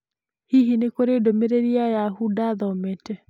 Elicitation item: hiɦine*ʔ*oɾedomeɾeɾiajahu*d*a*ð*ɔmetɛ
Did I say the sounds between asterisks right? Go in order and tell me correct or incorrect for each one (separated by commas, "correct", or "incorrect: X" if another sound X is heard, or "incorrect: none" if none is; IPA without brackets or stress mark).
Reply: incorrect: k, correct, correct